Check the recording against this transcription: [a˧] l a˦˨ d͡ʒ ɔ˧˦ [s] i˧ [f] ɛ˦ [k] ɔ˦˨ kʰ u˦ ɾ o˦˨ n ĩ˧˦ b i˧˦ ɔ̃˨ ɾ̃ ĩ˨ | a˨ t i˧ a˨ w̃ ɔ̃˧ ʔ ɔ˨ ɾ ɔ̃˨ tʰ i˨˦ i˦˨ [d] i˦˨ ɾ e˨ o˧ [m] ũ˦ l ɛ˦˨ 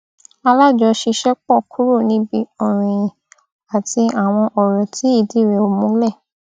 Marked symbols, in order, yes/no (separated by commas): yes, no, no, no, yes, yes